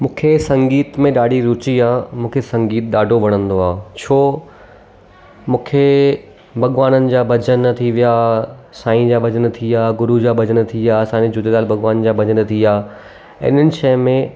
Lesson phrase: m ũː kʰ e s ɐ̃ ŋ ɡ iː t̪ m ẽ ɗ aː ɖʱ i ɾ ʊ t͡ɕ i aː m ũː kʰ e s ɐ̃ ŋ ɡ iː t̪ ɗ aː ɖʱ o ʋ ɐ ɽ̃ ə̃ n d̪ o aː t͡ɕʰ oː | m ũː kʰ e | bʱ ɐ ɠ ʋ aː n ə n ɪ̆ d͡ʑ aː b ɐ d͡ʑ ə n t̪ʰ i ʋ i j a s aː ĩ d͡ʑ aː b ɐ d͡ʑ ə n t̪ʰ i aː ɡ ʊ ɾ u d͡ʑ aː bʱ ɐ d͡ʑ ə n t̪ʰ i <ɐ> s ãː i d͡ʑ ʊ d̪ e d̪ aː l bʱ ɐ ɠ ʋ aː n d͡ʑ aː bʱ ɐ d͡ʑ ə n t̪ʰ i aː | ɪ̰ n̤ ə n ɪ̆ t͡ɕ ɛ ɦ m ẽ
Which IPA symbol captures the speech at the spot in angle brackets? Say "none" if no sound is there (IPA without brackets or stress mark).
a